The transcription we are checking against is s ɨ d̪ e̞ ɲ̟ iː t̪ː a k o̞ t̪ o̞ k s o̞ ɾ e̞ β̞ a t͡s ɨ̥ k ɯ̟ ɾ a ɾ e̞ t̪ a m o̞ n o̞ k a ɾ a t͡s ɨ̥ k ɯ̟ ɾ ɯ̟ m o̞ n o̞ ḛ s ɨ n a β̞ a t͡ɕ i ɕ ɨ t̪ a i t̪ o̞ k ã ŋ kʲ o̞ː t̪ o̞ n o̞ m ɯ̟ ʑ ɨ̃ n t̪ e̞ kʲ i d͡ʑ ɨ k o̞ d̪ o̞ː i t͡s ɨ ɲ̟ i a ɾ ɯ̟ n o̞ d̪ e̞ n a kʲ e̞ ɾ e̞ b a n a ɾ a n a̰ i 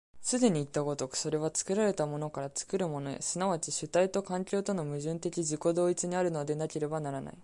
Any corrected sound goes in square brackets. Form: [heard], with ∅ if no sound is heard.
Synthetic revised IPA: s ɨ d̪ e̞ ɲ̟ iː t̪ː a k o̞ t̪ o̞ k s o̞ ɾ e̞ β̞ a t͡s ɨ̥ k ɯ̟ ɾ a ɾ e̞ t̪ a m o̞ n o̞ k a ɾ a t͡s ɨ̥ k ɯ̟ ɾ ɯ̟ m o̞ n o̞ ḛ s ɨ n a β̞ a t͡ɕ i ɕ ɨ t̪ a i t̪ o̞ k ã ŋ kʲ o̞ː t̪ o̞ n o̞ m ɯ̟ ʑ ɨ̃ n t̪ e̞ kʲ i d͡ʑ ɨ k o̞ d̪ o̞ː i t͡s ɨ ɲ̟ i a ɾ ɯ̟ n o̞ d̪ e̞ n a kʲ e̞ ɾ e̞ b a n a ɾ a n a̰ i